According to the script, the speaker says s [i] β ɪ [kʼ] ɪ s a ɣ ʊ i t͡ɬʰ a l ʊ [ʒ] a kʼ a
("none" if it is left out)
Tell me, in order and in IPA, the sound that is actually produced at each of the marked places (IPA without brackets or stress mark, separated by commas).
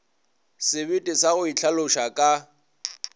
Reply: ɪ, tʼ, ʃ